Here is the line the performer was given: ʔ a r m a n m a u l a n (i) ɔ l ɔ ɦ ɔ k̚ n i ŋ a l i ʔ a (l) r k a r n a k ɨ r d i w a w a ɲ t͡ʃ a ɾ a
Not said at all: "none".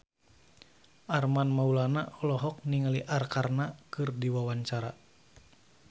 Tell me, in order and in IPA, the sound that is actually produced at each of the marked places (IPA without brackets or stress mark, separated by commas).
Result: a, none